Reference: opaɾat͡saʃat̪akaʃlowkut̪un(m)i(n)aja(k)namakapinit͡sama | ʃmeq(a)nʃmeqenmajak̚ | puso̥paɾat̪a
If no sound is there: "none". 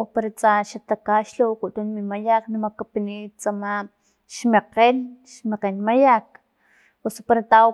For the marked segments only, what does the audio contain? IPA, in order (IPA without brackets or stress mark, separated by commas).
m, m, k, e